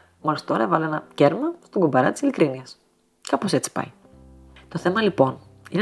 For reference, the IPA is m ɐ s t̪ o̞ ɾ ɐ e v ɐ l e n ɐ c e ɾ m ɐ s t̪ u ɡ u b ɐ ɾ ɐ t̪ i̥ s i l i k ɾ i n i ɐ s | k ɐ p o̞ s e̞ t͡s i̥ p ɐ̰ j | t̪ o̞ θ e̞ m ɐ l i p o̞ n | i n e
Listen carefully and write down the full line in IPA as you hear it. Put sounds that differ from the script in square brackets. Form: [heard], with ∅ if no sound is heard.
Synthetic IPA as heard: m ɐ s t̪ o̞ ɾ ɐ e v ɐ l e n ɐ c e ɾ m ɐ s t̪ [o] ɡ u b ɐ ɾ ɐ t̪ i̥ s i l i k ɾ i n i ɐ s | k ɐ p o̞ s e̞ t͡s i̥ p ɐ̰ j | t̪ o̞ θ e̞ m ɐ l i p o̞ n | i n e